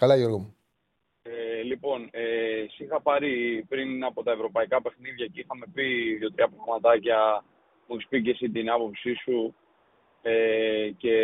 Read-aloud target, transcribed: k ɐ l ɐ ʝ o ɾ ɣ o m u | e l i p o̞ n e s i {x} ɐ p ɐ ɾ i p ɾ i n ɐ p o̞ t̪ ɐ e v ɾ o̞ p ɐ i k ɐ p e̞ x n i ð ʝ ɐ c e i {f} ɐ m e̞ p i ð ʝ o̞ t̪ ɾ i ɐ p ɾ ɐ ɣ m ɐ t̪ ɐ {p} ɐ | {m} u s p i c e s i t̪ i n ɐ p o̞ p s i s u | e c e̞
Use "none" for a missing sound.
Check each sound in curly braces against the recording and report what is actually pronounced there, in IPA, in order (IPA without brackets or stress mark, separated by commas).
x, x, c, m